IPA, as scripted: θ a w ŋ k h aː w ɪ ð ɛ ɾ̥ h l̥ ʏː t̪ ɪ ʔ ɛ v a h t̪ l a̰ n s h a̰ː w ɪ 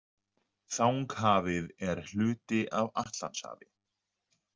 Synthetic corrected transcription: θ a w ŋ k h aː v ɪ ð ɛ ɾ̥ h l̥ ʏː t̪ ɪ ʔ a v a h t̪ l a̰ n s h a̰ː v ɪ